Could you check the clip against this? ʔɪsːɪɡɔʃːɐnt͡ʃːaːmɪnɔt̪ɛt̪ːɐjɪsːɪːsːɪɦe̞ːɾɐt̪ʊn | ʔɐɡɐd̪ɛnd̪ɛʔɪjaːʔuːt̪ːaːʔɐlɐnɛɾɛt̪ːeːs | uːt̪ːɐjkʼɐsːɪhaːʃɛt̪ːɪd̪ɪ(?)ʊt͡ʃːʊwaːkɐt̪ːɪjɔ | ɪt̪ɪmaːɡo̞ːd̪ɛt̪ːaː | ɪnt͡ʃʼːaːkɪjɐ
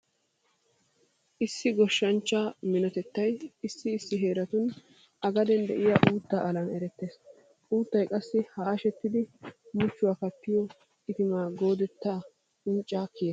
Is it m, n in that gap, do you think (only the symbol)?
m